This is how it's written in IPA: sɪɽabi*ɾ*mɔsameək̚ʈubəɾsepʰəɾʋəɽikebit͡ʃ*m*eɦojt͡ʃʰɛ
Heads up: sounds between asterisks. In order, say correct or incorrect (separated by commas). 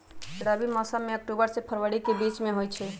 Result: incorrect, correct